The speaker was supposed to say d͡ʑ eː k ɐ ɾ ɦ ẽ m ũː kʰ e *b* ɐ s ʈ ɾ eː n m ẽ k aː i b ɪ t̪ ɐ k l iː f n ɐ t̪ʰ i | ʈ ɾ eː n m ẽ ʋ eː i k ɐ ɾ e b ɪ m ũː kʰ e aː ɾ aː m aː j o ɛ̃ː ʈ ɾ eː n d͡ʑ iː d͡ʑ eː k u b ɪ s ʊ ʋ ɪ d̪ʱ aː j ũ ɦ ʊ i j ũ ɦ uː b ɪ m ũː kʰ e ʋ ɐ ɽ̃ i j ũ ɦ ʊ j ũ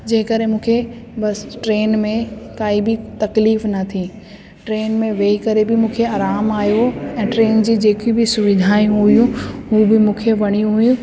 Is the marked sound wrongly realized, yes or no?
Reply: no